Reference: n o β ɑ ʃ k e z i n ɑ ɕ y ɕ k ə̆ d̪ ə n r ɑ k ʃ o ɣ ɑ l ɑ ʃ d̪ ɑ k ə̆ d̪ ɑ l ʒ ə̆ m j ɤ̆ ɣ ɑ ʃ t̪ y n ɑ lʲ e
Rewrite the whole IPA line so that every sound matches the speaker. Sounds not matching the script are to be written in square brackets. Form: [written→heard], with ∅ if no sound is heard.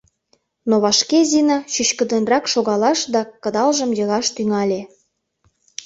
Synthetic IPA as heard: n o β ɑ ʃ k e z i n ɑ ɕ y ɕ k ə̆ d̪ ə n r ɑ k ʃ o ɣ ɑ l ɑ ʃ d̪ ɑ k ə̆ d̪ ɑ l ʒ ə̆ m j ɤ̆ ɣ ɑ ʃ t̪ y [n→ŋ] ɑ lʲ e